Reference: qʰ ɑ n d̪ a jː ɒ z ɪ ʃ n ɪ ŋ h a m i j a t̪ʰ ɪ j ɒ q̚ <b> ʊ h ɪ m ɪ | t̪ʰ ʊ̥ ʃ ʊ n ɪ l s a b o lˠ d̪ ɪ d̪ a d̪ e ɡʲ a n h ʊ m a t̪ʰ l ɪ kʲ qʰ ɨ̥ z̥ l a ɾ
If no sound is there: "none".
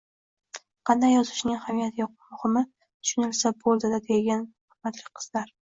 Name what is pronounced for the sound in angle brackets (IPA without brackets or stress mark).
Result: m